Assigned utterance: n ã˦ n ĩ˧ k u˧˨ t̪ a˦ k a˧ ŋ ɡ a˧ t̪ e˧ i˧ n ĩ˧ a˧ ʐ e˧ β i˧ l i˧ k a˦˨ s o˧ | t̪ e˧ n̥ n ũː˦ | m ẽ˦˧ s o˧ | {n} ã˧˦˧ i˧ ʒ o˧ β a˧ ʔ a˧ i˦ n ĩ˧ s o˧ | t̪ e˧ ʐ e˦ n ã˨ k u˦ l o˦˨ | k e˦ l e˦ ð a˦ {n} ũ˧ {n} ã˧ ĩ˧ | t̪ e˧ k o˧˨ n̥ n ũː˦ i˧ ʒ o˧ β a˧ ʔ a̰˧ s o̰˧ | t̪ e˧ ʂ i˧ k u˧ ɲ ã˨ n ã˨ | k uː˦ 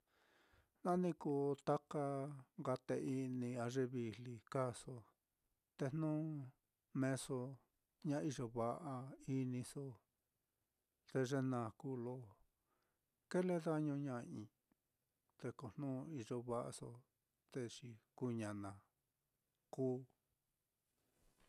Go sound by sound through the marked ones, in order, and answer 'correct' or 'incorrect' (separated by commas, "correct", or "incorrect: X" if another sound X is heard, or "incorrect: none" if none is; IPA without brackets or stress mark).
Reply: incorrect: ɲ, incorrect: ɲ, incorrect: ɲ